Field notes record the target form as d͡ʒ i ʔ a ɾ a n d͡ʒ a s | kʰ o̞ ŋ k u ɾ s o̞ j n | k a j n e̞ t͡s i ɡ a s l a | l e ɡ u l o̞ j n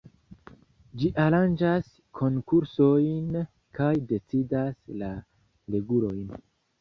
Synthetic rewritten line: d͡ʒ i ʔ a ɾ a n d͡ʒ a s | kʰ o̞ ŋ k u ɾ s o̞ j n | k a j d e̞ t͡s i d a s l a | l e ɡ u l o̞ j n